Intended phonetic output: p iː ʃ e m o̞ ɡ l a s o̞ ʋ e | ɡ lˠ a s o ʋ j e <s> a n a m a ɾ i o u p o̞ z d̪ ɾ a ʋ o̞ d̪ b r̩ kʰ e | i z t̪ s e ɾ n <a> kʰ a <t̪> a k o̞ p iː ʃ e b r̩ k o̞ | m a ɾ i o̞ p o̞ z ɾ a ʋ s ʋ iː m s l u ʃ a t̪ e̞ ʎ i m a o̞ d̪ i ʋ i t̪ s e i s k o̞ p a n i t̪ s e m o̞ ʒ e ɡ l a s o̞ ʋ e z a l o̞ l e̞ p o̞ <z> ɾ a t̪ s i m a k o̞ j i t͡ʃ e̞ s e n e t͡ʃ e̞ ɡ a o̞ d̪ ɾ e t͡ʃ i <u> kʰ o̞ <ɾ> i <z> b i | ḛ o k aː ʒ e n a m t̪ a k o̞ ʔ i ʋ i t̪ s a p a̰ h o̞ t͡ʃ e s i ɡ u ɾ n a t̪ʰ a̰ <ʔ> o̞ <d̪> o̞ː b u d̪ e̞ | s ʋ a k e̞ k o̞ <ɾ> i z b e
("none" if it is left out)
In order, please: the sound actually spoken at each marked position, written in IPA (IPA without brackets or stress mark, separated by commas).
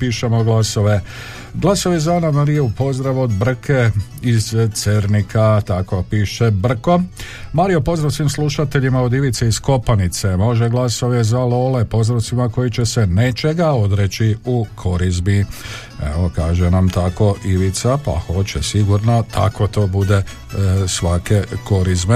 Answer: z, i, t̪, z, u, ɾ, z, k, t̪, ɾ